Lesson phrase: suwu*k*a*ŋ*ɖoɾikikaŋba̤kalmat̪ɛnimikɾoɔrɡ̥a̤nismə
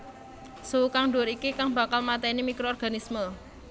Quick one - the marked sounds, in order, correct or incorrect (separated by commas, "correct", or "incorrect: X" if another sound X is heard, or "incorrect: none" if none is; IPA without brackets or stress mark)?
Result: correct, correct